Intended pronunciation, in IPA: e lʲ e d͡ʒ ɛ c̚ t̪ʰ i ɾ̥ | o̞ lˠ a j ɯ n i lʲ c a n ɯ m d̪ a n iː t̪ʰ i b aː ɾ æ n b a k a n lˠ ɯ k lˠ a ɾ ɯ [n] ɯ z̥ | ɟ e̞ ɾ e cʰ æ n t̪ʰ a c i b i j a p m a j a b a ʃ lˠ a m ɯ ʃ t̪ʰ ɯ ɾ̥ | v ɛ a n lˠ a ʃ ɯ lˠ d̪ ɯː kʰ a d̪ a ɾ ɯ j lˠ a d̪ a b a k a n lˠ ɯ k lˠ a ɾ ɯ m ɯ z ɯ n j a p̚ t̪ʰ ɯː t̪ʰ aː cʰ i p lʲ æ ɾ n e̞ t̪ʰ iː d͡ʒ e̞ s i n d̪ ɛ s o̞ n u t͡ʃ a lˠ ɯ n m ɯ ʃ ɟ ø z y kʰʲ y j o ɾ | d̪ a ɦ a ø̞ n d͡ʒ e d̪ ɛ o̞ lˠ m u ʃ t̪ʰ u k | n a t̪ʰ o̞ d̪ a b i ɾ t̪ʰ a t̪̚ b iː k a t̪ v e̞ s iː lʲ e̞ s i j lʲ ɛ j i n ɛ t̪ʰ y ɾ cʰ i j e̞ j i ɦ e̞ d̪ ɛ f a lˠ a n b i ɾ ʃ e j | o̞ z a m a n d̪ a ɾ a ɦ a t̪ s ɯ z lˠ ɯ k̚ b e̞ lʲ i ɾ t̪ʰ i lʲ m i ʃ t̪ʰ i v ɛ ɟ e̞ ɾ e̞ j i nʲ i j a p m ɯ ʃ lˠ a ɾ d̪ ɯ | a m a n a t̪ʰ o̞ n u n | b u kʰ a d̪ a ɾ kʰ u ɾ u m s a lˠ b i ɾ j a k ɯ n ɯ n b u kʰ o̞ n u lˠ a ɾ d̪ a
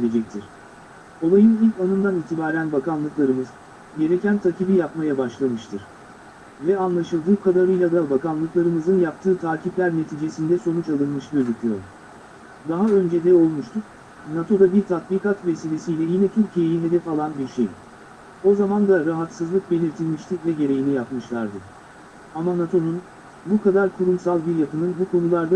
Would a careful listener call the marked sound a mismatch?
yes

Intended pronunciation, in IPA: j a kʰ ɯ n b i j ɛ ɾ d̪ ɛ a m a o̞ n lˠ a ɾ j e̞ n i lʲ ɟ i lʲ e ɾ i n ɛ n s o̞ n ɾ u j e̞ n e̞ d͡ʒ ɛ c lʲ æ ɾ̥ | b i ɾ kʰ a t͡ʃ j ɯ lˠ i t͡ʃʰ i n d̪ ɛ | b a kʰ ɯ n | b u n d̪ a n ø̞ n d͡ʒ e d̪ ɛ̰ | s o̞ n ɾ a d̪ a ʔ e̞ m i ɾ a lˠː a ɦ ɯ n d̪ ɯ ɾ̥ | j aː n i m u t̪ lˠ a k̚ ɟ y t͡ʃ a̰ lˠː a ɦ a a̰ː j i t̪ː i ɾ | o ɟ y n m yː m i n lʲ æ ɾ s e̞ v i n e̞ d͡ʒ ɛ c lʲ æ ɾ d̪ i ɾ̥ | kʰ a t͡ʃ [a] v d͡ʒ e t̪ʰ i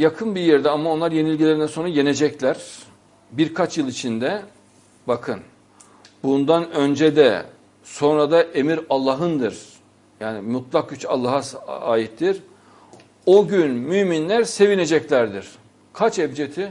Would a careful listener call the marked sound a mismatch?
yes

